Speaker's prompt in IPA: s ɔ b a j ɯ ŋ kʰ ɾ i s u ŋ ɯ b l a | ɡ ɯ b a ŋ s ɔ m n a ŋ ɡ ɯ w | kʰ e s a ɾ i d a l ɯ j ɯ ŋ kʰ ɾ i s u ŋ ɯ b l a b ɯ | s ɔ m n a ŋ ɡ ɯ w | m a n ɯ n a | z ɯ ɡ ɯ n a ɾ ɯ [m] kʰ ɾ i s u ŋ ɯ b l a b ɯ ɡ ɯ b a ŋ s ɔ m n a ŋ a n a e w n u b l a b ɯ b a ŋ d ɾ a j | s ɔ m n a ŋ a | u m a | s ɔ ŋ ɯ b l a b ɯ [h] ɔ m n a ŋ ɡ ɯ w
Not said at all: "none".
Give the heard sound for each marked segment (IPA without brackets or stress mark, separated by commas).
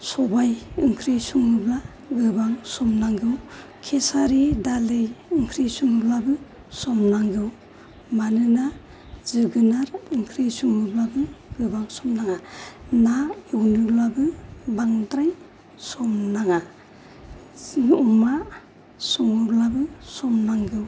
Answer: ŋ, s